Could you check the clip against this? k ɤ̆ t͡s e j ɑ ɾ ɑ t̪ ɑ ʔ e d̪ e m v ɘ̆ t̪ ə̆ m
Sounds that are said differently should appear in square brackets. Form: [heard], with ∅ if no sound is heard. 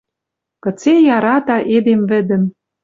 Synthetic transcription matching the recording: k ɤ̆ t͡s e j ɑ ɾ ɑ t̪ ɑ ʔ e d̪ e m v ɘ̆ [d̪] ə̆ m